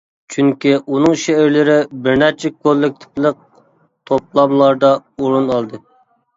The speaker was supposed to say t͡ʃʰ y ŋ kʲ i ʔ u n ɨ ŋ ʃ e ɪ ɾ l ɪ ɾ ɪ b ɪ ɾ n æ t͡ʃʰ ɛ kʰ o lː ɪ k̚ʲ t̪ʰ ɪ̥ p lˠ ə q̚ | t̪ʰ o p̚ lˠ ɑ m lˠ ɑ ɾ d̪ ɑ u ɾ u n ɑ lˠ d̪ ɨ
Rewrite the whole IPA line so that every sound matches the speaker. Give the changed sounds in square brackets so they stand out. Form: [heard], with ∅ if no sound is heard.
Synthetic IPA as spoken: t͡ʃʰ y ŋ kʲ i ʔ u n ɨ ŋ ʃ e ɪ ɾ l ɪ ɾ ɪ b ɪ ɾ n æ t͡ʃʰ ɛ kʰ o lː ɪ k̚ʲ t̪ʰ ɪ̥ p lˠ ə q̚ | t̪ʰ o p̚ lˠ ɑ m lˠ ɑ ɾ d̪ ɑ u ɾ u n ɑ lˠ d̪ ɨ

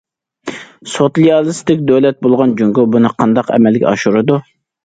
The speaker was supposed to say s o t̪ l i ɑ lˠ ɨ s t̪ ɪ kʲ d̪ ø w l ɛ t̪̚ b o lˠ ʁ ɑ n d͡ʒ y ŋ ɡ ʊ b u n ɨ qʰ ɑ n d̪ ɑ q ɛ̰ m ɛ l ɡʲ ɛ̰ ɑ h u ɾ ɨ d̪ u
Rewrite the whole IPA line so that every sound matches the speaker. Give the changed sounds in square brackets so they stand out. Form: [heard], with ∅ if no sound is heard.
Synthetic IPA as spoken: s o t̪ l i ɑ lˠ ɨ s t̪ ɪ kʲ d̪ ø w l ɛ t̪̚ b o lˠ ʁ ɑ n d͡ʒ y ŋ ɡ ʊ b u n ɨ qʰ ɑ n d̪ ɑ q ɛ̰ m ɛ l ɡʲ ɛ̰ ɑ [ʃ] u ɾ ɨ d̪ u

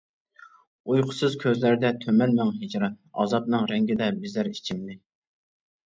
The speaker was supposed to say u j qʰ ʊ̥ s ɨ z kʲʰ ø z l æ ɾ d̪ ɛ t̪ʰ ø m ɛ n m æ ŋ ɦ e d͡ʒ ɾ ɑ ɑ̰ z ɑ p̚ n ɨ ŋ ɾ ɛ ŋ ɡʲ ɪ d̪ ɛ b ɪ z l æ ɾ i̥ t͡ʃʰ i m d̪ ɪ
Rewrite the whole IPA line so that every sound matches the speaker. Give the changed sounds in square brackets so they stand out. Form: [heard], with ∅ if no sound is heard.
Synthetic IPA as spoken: u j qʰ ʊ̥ s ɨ z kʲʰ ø z l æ ɾ d̪ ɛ t̪ʰ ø m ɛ n m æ ŋ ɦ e d͡ʒ ɾ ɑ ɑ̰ z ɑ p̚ n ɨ ŋ ɾ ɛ ŋ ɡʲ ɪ d̪ ɛ b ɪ z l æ ɾ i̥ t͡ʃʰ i m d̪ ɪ

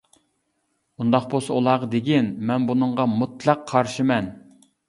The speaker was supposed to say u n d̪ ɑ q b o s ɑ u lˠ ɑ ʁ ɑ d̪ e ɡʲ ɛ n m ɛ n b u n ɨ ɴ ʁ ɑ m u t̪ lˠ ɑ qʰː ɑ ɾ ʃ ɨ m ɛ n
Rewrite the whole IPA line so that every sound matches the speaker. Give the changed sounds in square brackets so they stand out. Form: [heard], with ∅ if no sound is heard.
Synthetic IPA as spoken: u n d̪ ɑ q b o s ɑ u lˠ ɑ ʁ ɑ d̪ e ɡʲ [i] n m ɛ n b u n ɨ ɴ ʁ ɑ m u t̪ lˠ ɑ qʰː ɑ ɾ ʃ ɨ m ɛ n

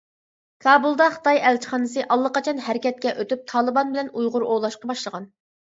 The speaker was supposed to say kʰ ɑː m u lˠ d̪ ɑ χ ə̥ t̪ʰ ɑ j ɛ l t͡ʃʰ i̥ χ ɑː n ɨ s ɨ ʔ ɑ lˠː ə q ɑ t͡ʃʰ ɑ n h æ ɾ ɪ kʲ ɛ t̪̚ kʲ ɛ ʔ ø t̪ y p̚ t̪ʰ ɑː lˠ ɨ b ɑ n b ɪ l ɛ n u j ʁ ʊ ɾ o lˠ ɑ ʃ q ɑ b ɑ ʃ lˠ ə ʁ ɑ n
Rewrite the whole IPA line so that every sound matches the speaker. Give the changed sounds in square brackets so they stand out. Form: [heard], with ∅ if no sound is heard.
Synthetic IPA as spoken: kʰ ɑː [b] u lˠ d̪ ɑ χ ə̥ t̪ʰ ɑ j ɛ l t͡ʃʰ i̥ χ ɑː n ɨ s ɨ ʔ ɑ lˠː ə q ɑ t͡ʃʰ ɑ n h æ ɾ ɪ kʲ ɛ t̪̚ kʲ ɛ ʔ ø t̪ y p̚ t̪ʰ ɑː lˠ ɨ b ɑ n b ɪ l ɛ n u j ʁ ʊ ɾ o lˠ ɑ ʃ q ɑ b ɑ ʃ lˠ ə ʁ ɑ n

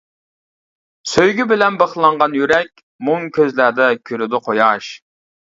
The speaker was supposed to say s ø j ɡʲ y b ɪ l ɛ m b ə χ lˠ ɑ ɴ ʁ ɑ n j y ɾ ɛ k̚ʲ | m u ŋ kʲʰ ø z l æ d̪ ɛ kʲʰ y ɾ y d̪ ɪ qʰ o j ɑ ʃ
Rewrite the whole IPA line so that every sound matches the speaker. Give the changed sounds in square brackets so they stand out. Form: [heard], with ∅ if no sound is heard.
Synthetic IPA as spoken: s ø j ɡʲ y b ɪ l ɛ [n] b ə χ lˠ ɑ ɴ ʁ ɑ n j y ɾ ɛ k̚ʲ | m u ŋ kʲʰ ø z l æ d̪ ɛ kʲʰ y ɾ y d̪ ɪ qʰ o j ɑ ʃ

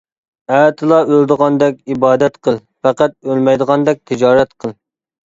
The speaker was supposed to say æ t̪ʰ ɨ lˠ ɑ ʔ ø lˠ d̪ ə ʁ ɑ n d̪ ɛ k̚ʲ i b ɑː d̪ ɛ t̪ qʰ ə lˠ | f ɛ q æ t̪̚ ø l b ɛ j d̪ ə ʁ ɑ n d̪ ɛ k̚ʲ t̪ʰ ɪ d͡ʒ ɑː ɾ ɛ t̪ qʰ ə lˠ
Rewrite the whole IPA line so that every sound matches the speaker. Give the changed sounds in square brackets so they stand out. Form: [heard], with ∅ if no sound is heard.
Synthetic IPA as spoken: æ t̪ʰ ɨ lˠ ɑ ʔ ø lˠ d̪ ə ʁ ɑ n d̪ ɛ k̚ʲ i b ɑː d̪ ɛ t̪ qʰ ə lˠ | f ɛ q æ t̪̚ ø l [m] ɛ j d̪ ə ʁ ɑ n d̪ ɛ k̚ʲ t̪ʰ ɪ d͡ʒ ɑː ɾ ɛ t̪ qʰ ə lˠ

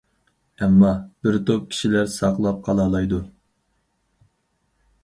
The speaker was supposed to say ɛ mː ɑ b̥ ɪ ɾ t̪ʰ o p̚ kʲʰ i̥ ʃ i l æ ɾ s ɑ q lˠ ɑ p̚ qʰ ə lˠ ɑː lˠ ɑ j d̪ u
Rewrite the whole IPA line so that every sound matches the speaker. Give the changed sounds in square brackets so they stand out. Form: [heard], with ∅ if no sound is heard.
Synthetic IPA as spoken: ɛ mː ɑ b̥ ɪ ɾ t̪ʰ o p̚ kʲʰ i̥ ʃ i l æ ɾ s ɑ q lˠ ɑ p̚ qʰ [ɑ] lˠ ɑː lˠ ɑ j d̪ u

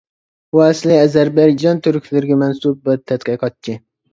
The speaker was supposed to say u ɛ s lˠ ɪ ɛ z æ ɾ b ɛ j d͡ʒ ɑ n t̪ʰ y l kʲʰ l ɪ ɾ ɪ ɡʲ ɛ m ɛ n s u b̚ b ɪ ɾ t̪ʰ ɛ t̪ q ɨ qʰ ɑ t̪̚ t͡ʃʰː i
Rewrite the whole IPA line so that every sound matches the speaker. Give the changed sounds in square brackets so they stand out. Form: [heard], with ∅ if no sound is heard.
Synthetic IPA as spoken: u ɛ s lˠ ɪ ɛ z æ ɾ b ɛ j d͡ʒ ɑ n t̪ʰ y [ɾ] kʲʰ l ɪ ɾ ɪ ɡʲ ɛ m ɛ n s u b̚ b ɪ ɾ t̪ʰ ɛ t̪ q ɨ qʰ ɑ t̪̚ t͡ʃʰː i

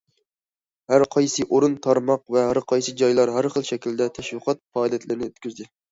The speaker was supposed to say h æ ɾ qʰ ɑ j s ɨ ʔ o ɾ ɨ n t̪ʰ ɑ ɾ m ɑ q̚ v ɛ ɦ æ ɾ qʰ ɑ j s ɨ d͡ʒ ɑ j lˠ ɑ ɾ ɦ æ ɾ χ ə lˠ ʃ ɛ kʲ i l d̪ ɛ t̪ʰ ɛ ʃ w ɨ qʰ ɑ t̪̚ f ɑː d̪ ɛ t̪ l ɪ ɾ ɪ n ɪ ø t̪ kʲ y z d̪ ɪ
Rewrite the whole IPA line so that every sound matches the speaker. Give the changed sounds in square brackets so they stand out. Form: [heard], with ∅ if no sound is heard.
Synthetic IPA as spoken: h æ ɾ qʰ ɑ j s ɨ ʔ o ɾ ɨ n t̪ʰ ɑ ɾ m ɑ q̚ v ɛ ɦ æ ɾ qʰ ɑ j s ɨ d͡ʒ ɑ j lˠ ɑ ɾ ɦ æ ɾ χ ə lˠ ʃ ɛ kʲ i l d̪ ɛ t̪ʰ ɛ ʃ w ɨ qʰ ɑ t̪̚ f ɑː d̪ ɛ t̪ l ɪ ɾ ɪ n ɪ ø t̪ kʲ y z d̪ ɪ

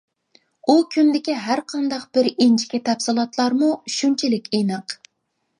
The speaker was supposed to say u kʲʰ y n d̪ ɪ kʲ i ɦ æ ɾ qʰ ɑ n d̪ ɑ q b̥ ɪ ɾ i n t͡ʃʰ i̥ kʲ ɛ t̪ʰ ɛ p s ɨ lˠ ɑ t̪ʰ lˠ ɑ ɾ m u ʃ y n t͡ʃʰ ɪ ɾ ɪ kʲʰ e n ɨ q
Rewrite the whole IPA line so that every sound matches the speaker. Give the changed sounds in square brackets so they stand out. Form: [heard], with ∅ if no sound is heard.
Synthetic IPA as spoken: u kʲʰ y n d̪ ɪ kʲ i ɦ æ ɾ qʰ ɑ n d̪ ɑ q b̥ ɪ ɾ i n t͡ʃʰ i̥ kʲ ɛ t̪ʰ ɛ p s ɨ lˠ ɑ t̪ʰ lˠ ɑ ɾ m u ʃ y n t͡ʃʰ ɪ [l] ɪ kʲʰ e n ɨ q

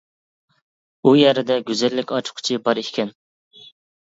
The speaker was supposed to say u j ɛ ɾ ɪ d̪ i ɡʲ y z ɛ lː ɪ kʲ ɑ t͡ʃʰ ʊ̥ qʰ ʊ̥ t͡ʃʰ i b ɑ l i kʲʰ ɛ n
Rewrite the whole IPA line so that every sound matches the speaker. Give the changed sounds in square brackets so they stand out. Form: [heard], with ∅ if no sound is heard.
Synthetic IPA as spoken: u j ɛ ɾ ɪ d̪ [ɛ] ɡʲ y z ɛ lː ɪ kʲ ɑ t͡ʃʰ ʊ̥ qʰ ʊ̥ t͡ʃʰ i b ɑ [ɾ] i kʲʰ ɛ n

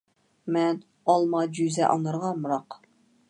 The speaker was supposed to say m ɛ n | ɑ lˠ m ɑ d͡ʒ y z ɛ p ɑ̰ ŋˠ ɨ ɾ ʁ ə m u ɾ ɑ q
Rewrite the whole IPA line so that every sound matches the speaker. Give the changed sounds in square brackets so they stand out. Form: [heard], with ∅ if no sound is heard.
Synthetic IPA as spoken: m ɛ n | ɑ lˠ m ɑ d͡ʒ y z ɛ [ʔ] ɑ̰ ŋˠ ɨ ɾ ʁ [ɑ] m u ɾ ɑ q

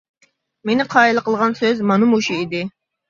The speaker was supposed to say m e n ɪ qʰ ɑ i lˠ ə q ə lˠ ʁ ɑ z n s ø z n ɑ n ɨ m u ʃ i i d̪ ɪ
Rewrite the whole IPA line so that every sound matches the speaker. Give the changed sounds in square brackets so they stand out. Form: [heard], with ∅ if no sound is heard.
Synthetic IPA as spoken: m e n ɪ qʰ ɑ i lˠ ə q ə lˠ ʁ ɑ [∅] n s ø z [m] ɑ n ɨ m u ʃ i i d̪ ɪ

